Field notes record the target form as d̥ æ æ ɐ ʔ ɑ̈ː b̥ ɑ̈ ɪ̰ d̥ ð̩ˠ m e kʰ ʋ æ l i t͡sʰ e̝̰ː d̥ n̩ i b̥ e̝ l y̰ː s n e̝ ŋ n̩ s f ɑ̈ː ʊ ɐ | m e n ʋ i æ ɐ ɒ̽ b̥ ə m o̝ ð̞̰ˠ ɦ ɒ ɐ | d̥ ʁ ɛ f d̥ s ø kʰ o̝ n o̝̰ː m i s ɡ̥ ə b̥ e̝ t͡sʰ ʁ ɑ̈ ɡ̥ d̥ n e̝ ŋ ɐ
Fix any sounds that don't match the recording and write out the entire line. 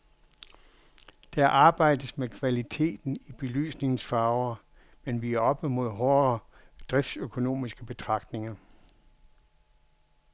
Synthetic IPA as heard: d̥ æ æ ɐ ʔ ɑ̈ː b̥ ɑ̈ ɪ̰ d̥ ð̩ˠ m e kʰ ʋ æ l i t͡sʰ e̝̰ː d̥ n̩ i b̥ e̝ l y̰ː s n e̝ ŋ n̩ s f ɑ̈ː ʊ ɐ | m e n ʋ i æ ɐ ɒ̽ b̥ ə m o̝ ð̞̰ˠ ɦ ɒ ɐ | d̥ ʁ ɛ f d̥ s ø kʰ o̝ n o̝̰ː m i s ɡ̥ ə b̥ e̝ t͡sʰ ʁ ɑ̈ ɡ̥ d̥ n e̝ ŋ ɐ